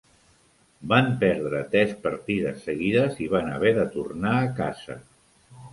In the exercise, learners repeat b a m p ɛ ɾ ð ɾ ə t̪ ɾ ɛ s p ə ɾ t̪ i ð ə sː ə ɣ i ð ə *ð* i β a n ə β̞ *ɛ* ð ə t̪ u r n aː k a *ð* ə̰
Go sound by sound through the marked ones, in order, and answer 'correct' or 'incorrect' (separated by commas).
incorrect, correct, incorrect